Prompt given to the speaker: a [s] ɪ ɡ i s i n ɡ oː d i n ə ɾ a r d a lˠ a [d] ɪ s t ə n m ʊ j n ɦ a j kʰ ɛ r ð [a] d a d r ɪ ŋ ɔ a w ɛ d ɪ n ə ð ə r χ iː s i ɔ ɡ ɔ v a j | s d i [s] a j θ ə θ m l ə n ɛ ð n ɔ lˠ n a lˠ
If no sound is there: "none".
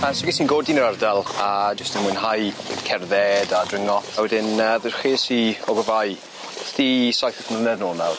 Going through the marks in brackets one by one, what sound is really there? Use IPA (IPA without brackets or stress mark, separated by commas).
s, d͡ʒ, ɛ, s